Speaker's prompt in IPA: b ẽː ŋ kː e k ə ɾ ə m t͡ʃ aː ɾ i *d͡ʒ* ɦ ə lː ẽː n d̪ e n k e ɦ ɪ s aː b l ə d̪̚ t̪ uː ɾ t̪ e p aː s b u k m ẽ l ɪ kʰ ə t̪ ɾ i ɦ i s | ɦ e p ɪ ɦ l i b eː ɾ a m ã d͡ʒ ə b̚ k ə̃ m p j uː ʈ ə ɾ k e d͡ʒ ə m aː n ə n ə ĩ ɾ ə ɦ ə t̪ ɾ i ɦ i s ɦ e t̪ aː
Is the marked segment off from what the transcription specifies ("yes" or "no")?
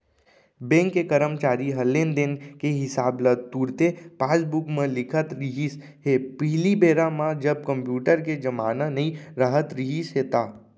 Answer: yes